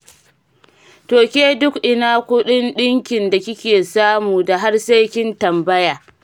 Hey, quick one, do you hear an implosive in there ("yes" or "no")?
yes